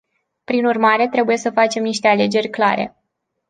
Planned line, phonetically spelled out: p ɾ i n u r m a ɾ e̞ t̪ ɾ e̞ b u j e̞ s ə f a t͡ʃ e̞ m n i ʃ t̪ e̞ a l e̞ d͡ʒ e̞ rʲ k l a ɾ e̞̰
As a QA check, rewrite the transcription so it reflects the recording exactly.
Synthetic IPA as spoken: p ɾ i n u r m a ɾ e̞ t̪ ɾ e̞ b u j e̞ s ə f a t͡ʃ e̞ m n i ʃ t̪ e̞ a l e̞ d͡ʒ e̞ rʲ k l a ɾ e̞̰